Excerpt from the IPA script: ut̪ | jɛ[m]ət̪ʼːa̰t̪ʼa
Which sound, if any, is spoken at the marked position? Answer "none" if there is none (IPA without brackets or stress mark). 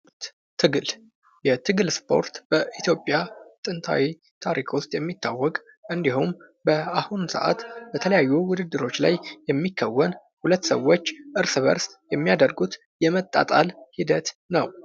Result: m